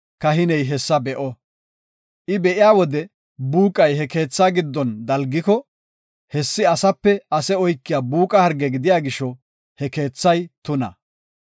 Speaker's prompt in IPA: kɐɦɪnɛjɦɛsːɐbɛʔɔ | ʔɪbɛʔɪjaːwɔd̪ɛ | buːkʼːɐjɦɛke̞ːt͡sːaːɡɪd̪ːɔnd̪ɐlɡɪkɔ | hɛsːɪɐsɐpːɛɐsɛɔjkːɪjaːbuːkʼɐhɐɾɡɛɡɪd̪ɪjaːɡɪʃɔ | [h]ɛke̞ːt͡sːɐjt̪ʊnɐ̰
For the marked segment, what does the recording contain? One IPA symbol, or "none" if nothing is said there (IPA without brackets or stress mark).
h